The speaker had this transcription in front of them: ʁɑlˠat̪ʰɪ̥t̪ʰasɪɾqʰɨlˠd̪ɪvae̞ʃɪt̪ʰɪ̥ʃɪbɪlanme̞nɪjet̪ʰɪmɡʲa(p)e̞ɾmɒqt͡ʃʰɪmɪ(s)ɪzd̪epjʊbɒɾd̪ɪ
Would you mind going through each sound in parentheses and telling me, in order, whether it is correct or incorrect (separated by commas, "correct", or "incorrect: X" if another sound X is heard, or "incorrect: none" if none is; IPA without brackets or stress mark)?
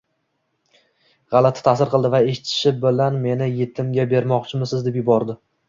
incorrect: b, correct